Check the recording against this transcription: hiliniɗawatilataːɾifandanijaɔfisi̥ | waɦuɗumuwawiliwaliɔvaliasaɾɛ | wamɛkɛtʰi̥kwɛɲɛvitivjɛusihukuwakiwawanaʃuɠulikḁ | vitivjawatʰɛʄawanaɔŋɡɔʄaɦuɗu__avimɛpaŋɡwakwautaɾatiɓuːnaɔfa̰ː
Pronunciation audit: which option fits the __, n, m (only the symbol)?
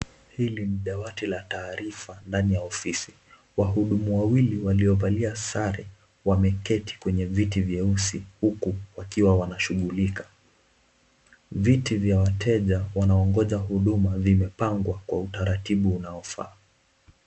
m